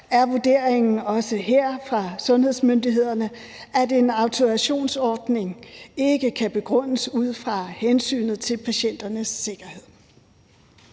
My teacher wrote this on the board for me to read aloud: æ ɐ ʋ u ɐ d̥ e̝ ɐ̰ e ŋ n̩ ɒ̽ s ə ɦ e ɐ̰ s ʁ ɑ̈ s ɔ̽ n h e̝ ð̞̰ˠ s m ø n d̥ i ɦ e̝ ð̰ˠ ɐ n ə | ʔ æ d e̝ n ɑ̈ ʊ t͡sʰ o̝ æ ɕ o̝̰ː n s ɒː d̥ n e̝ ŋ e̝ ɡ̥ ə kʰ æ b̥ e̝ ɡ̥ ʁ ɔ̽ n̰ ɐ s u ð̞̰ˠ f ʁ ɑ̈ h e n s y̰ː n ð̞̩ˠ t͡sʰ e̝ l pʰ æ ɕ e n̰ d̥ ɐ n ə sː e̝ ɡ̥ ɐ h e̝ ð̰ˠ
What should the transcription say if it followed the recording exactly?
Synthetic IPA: æ ɐ ʋ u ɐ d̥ e̝ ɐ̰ e ŋ n̩ ɒ̽ s ə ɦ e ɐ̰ f ʁ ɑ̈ s ɔ̽ n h e̝ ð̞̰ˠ s m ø n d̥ i ɦ e̝ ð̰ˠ ɐ n ə | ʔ æ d e̝ n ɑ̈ ʊ t͡sʰ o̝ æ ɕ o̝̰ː n s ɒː d̥ n e̝ ŋ e̝ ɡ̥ ə kʰ æ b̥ e̝ ɡ̥ ʁ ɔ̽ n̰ ə s u ð̞̰ˠ f ʁ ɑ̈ h e n s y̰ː n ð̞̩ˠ t͡sʰ e̝ l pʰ æ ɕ e n̰ d̥ ɐ n ə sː e̝ ɡ̥ ɐ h e̝ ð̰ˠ